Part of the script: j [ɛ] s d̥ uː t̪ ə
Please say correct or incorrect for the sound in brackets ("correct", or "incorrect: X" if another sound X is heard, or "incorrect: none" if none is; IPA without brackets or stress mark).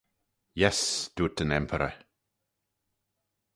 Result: correct